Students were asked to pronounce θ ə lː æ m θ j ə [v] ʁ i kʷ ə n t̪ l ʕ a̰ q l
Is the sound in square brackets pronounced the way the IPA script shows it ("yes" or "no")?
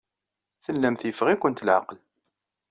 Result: no